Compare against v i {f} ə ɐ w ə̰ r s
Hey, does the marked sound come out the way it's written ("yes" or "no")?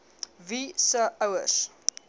no